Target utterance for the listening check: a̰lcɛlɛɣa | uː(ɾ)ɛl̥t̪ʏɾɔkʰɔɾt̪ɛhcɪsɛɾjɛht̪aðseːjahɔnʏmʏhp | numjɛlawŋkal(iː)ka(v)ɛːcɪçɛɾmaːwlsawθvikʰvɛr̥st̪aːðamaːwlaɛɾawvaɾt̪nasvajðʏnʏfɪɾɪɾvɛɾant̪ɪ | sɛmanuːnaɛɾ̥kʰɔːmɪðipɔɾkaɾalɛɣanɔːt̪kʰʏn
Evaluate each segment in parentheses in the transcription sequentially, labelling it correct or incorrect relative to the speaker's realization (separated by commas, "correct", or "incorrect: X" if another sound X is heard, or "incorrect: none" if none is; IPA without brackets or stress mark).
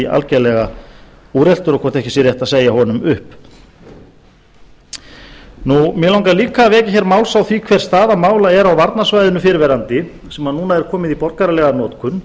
correct, correct, correct